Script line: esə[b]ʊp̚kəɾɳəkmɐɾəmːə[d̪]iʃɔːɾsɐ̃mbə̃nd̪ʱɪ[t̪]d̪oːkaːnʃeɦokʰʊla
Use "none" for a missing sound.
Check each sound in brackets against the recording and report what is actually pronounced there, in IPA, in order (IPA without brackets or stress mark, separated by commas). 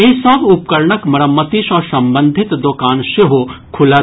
b, t̪, t̪